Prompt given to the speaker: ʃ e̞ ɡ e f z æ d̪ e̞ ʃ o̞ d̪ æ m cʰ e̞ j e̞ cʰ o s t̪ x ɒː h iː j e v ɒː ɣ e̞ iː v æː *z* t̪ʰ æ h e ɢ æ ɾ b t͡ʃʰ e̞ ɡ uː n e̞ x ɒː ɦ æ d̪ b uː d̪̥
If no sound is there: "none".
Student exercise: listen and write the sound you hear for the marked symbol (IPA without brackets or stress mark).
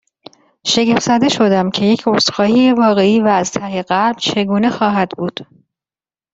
z